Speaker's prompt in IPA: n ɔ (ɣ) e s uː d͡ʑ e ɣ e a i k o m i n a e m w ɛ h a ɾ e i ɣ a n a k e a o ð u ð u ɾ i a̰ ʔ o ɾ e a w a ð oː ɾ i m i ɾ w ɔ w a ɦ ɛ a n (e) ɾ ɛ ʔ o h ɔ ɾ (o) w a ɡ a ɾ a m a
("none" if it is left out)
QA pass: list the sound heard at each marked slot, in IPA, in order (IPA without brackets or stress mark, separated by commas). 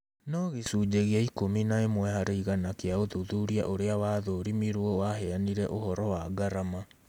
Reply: ɣ, i, ɔ